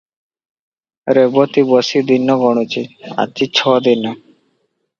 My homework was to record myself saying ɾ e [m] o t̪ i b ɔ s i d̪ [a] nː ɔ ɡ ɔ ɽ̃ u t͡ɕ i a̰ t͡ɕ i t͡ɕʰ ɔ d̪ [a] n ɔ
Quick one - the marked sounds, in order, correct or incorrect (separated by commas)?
incorrect, incorrect, incorrect